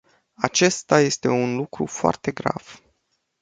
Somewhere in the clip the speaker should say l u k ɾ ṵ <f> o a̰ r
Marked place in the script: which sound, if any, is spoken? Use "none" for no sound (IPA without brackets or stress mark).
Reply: f